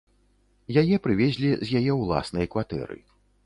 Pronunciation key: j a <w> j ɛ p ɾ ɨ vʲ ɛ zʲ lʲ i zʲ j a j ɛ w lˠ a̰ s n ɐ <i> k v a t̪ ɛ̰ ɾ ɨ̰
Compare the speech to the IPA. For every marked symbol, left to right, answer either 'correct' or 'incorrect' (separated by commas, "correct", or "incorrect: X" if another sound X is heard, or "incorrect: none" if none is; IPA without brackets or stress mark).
incorrect: none, incorrect: j